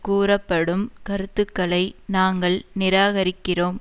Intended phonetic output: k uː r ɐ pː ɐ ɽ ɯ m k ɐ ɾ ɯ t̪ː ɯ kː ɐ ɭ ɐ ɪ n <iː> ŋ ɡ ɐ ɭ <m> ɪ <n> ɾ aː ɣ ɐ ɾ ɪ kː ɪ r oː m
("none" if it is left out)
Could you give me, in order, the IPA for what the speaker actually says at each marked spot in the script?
aː, n, none

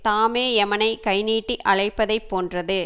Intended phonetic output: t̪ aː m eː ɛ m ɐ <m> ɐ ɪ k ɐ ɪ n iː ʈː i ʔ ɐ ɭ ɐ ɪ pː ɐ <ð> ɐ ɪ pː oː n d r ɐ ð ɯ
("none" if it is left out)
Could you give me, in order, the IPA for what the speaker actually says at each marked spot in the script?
n, ð

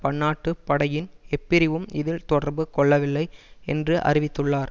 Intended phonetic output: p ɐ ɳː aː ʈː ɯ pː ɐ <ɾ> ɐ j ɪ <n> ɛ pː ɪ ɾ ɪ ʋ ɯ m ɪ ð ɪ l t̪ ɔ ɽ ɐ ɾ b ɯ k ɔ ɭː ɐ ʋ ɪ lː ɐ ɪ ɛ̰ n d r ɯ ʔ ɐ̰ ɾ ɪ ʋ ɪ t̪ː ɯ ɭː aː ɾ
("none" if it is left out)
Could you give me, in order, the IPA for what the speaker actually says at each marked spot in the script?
ɽ, n

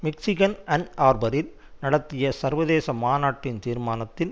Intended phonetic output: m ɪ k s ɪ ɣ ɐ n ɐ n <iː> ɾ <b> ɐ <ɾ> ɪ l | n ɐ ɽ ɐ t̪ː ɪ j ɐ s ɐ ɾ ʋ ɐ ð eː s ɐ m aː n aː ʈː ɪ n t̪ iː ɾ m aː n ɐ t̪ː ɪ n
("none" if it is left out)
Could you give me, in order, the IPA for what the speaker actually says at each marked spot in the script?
aː, b, ɾ

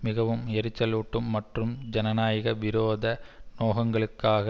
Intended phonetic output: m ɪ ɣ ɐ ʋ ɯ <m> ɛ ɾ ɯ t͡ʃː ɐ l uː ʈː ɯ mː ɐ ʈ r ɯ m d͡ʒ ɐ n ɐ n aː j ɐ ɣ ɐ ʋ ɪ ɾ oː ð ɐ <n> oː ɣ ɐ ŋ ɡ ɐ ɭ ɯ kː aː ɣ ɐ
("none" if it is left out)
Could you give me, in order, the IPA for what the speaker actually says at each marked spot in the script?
m, n

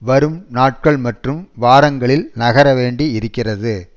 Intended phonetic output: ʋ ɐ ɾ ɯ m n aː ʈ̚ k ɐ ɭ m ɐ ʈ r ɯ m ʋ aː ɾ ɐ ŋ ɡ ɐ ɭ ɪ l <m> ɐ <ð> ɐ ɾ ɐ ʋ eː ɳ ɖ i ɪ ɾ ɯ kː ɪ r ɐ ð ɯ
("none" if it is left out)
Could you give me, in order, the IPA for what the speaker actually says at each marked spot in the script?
n, ɣ

